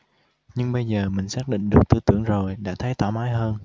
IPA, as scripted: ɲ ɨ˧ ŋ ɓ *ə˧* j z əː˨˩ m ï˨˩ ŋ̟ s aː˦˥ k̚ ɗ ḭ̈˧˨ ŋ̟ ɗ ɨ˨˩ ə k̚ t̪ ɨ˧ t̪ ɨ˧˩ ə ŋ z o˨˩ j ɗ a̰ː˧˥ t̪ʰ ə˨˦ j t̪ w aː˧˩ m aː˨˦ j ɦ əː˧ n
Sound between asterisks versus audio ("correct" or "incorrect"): correct